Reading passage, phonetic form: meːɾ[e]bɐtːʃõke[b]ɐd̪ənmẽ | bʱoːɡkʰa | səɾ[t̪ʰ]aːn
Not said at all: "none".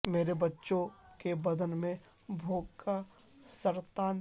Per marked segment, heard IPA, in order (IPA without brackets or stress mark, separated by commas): e, b, t̪